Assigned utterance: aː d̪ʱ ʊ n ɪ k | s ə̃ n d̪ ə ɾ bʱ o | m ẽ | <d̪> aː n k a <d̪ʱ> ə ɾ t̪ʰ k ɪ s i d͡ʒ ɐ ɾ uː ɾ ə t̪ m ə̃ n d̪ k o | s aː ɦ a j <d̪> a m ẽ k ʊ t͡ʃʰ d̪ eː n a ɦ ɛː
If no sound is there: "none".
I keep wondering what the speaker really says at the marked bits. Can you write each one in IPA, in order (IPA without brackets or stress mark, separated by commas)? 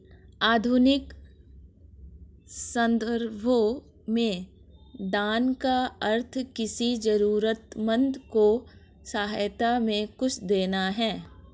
d̪, none, t̪